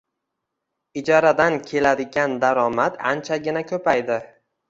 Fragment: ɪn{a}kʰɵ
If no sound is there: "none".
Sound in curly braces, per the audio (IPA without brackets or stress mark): a